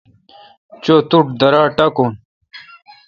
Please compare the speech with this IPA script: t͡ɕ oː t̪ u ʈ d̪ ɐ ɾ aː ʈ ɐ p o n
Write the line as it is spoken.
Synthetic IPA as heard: t͡ɕ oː t̪ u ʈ d̪ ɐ ɾ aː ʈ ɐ k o n